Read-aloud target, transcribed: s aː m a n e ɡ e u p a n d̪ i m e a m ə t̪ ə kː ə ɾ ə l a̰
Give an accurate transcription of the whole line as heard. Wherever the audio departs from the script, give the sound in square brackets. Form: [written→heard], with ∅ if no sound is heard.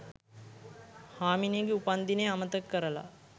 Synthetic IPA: [s→h] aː m [a→i] n e ɡ e u p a n d̪ i [m→n] e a m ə t̪ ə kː ə ɾ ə l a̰